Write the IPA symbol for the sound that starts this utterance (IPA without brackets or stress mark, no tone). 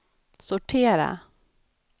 s